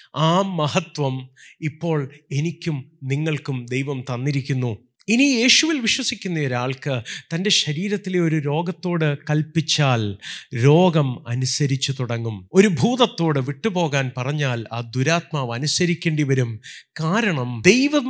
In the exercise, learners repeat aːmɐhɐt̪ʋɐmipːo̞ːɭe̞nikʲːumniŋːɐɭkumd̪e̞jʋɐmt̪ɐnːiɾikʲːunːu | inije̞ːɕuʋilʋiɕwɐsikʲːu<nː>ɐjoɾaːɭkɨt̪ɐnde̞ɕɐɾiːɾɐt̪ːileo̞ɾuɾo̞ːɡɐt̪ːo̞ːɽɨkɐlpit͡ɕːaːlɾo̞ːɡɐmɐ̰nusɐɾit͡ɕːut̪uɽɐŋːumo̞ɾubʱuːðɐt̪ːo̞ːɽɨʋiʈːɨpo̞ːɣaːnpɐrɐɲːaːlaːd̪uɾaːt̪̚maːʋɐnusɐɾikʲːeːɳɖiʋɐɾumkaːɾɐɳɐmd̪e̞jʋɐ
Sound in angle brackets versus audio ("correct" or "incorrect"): correct